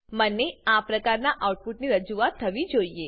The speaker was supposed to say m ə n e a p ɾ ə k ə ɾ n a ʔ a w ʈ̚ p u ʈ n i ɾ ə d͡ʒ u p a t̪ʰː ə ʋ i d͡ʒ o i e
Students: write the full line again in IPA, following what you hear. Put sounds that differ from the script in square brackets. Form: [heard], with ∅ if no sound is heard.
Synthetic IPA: m ə n e a p ɾ ə k [a] ɾ n a ʔ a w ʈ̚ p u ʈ n i ɾ ə d͡ʒ u [∅] a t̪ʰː ə ʋ i d͡ʒ o i e

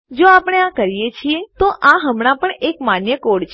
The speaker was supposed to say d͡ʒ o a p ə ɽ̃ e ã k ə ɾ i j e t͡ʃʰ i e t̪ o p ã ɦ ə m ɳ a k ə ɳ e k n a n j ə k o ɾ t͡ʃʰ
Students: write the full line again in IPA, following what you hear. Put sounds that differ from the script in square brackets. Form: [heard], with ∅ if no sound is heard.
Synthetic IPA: d͡ʒ o a p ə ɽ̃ e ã k ə ɾ i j e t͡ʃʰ i e t̪ o [ʔ] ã ɦ ə m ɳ a [p] ə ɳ e k [m] a n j ə k o [ɽ] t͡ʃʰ

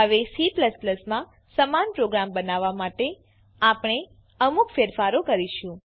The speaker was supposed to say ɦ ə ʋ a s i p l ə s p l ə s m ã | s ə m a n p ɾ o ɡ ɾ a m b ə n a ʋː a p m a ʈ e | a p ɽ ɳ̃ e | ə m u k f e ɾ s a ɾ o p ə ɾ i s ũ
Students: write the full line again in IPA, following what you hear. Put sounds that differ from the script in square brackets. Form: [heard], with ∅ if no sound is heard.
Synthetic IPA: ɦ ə ʋ [e] s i p l ə s p l ə s m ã | s ə m a n p ɾ o ɡ ɾ a m b ə n a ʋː a [∅] m a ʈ e | a p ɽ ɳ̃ e | ə m u k f e ɾ [f] a ɾ o [k] ə ɾ i [ʃ] ũ

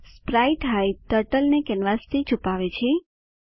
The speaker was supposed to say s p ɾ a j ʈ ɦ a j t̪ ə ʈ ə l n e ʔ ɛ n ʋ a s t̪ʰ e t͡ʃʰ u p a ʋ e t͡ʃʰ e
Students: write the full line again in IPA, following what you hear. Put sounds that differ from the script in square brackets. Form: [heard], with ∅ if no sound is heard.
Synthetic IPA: s p ɾ a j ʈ ɦ a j t̪ ə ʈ ə l n e [k] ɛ n ʋ a s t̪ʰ [i] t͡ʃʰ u p a ʋ e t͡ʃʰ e

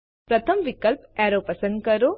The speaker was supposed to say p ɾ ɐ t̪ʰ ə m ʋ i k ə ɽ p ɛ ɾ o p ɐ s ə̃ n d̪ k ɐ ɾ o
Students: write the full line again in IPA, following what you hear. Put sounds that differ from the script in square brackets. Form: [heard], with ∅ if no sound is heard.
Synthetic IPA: p ɾ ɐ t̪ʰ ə m ʋ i k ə [l] p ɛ ɾ o p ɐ s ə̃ n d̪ k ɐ ɾ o

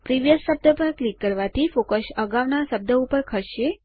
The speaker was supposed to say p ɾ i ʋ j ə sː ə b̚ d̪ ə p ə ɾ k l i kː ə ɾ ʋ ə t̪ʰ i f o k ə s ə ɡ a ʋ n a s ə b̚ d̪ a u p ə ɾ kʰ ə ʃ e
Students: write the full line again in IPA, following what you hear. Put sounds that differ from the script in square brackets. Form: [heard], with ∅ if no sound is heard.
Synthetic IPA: p ɾ i ʋ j ə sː ə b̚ d̪ ə p ə ɾ k l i kː ə ɾ ʋ [a] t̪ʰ i f o k ə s ə ɡ a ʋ n a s ə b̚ d̪ [ə] u p ə ɾ kʰ ə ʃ e

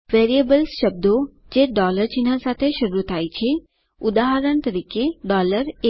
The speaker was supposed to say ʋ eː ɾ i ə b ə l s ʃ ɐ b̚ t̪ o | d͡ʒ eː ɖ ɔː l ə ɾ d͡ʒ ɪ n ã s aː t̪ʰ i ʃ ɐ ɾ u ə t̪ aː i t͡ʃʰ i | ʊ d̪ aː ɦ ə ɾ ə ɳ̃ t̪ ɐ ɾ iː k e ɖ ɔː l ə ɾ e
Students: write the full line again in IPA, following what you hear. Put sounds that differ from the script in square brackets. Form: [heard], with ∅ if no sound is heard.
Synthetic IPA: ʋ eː ɾ i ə b ə l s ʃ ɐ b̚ [d̪] o | d͡ʒ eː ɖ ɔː l ə ɾ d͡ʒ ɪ n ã s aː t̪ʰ [e] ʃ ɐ ɾ u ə t̪ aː i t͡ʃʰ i | ʊ d̪ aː ɦ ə ɾ ə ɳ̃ t̪ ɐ ɾ iː k e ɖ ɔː l ə ɾ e

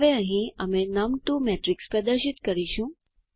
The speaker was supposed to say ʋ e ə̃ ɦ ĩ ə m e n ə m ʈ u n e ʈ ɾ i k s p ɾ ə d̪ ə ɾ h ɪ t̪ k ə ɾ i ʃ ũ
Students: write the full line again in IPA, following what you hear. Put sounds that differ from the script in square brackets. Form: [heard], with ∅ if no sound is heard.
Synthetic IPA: ʋ e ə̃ ɦ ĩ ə m e n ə m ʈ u [m] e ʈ ɾ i k s p ɾ ə d̪ ə ɾ [ʃ] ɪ t̪ k ə ɾ i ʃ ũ

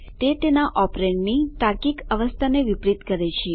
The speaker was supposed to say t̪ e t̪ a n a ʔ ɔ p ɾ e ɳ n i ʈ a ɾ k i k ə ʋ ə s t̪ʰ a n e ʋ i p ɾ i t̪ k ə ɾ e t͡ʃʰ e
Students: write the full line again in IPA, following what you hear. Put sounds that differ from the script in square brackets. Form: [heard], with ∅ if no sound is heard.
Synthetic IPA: t̪ e t̪ [e] n a ʔ ɔ p ɾ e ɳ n i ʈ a ɾ k i k ə ʋ ə s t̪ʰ a n e ʋ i p ɾ i t̪ k ə ɾ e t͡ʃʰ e

